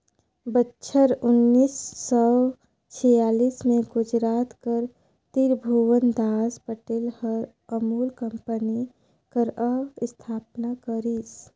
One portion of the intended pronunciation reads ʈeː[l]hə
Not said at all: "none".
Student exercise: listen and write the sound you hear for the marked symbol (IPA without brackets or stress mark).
l